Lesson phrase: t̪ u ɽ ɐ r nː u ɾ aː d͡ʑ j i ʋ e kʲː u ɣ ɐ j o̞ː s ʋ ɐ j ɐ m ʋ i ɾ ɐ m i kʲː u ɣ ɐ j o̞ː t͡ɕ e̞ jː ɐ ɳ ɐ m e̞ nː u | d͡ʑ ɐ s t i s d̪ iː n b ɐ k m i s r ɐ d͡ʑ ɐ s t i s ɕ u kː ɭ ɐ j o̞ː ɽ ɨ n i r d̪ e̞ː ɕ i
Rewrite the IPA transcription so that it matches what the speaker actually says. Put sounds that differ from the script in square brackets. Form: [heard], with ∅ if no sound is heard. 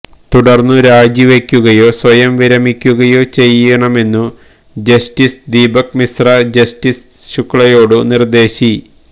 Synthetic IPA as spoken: t̪ u ɽ ɐ r nː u ɾ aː d͡ʑ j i ʋ e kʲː u ɣ ɐ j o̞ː s ʋ ɐ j ɐ m ʋ i ɾ ɐ m i kʲː u ɣ ɐ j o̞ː t͡ɕ e̞ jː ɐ ɳ ɐ m e̞ nː u | d͡ʑ ɐ s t i s d̪ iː [∅] b ɐ k m i s r ɐ d͡ʑ ɐ s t i s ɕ u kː ɭ ɐ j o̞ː ɽ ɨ n i r d̪ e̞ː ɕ i